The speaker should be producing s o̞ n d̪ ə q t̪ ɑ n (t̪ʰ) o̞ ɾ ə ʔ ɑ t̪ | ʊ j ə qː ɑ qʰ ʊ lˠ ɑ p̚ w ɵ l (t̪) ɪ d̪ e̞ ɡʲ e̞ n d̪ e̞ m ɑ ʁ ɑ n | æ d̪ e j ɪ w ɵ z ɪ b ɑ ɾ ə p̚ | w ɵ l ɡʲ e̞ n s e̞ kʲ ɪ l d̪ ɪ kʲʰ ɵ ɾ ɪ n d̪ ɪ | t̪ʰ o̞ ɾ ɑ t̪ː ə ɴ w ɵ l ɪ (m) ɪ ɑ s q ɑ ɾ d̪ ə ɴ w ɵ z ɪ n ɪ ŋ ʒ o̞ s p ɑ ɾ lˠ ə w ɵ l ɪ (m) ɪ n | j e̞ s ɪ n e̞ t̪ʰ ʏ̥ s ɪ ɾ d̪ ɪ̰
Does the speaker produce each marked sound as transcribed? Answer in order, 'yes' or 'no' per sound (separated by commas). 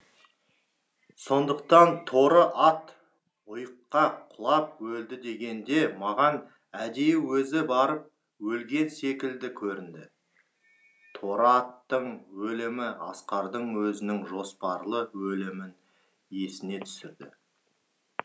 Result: yes, no, yes, yes